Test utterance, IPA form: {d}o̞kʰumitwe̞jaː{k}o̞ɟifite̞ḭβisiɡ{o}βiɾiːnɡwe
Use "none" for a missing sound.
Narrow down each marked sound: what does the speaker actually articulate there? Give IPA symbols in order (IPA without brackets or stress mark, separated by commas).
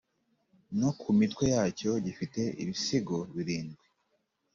n, c, o